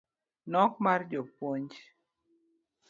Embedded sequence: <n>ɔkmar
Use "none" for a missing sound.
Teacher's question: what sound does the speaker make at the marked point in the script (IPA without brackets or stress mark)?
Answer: n